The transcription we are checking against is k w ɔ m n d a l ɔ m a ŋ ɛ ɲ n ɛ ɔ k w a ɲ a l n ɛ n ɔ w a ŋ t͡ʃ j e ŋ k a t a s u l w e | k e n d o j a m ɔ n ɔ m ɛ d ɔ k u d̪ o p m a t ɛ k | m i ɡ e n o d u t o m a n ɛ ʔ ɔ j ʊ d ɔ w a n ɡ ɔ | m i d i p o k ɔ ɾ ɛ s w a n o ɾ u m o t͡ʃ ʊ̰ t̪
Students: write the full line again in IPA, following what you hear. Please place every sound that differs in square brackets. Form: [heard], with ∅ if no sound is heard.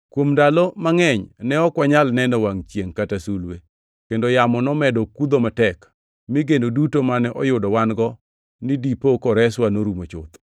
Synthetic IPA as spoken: k w [o] m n d a l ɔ m a ŋ ɛ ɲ n ɛ ɔ k w a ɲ a l n ɛ n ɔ w a ŋ t͡ʃ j e ŋ k a t a s u l w e | k e n d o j a m ɔ n ɔ m ɛ d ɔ k u d̪ o [∅] m a t ɛ k | m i ɡ e n o d u t o m a n ɛ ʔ ɔ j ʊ d ɔ w a n ɡ ɔ | [n] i d i p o k ɔ ɾ ɛ s w a n o ɾ u m o t͡ʃ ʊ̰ t̪